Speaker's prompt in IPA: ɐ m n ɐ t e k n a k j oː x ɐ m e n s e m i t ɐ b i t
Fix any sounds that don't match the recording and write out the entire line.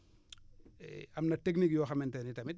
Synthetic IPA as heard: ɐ m n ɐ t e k n i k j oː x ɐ m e n t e n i t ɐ m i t